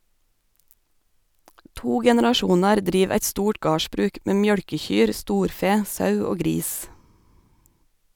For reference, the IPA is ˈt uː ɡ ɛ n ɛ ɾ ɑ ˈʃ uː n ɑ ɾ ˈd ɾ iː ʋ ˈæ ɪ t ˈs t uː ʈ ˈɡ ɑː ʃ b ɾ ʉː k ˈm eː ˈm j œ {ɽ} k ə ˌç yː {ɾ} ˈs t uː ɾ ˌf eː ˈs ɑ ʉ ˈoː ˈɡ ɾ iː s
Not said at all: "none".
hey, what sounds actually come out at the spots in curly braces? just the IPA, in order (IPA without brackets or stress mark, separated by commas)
ɽ, ɾ